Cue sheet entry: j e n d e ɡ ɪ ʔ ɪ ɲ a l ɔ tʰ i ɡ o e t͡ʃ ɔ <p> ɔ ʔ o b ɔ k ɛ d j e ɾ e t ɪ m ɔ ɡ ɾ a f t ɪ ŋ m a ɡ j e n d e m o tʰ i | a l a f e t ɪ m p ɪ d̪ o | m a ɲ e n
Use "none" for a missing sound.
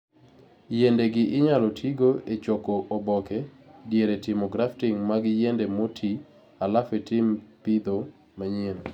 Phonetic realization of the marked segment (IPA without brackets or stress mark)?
k